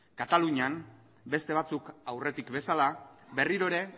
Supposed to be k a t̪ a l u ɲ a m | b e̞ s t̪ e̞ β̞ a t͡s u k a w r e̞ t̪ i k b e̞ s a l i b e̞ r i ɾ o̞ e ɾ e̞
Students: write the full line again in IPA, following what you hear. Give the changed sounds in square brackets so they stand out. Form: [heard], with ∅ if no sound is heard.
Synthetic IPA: k a t̪ a l u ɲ a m | b e̞ s t̪ e̞ β̞ a t͡s u k a w r e̞ t̪ i k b e̞ s a l [a] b e̞ r i ɾ o̞ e ɾ e̞